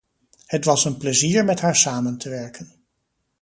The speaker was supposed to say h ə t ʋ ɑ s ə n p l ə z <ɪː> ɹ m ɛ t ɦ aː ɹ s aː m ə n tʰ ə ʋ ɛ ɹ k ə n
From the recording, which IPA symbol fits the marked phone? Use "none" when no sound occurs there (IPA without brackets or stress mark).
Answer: iː